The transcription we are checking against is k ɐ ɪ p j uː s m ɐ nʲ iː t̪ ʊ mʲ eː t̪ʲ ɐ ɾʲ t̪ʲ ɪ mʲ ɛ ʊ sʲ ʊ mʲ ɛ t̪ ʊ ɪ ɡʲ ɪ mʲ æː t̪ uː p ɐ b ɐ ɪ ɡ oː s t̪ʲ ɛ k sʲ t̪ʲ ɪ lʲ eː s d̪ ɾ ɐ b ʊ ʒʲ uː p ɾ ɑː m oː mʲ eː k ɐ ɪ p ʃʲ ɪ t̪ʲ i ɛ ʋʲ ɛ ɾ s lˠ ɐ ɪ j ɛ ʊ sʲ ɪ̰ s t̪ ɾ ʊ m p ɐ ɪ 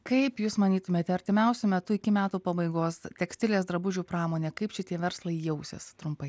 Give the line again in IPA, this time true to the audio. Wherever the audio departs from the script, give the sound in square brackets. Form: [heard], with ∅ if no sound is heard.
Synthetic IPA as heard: k ɐ ɪ p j uː s m ɐ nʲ iː t̪ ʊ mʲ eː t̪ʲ ɐ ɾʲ t̪ʲ ɪ mʲ ɛ ʊ sʲ ʊ mʲ ɛ t̪ ʊ ɪ [kʲ] ɪ mʲ æː t̪ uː p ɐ b ɐ ɪ ɡ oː s t̪ʲ ɛ k sʲ t̪ʲ ɪ lʲ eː s d̪ ɾ ɐ b ʊ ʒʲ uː p ɾ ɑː m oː [nʲ] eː k ɐ ɪ p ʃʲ ɪ t̪ʲ i ɛ ʋʲ ɛ ɾ s lˠ ɐ ɪ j ɛ ʊ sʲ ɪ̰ s t̪ ɾ ʊ m p ɐ ɪ